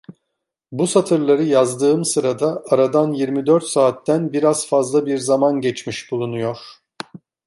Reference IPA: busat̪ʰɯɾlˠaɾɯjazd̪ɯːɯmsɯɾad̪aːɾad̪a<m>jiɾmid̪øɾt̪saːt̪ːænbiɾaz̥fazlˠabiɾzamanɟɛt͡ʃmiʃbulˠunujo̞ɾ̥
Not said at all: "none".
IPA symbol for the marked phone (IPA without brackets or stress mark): n